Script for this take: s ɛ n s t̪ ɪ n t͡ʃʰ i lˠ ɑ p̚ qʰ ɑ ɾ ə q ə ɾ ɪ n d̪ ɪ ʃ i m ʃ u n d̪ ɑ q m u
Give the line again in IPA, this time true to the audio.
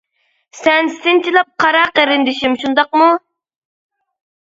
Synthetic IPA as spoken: s ɛ n s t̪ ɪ n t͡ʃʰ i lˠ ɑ p̚ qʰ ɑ ɾ ɑ q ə ɾ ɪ n d̪ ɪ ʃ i m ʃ u n d̪ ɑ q m u